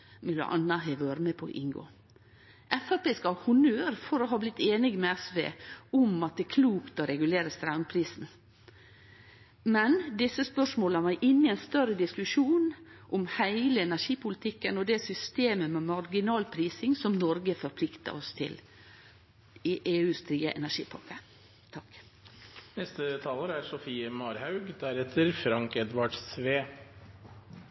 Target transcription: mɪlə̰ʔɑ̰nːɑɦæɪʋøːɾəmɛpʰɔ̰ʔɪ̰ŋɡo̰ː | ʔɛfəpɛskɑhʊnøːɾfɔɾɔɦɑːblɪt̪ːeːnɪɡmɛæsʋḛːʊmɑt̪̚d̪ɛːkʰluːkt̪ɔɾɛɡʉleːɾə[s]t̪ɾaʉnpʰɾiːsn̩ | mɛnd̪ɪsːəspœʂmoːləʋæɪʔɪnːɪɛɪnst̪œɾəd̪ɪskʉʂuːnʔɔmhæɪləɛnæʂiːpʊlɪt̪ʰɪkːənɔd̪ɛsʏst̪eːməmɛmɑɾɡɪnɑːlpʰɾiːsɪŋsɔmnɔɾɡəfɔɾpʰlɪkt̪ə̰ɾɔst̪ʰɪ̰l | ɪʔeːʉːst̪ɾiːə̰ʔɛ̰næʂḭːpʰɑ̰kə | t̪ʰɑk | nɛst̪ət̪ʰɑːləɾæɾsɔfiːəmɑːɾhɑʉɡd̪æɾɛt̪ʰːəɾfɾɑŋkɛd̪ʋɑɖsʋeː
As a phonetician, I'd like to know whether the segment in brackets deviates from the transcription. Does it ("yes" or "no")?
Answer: no